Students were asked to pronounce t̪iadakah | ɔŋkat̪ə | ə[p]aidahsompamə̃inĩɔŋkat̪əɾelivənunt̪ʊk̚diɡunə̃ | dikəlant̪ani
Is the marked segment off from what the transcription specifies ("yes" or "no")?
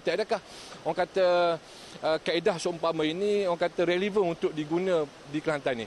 yes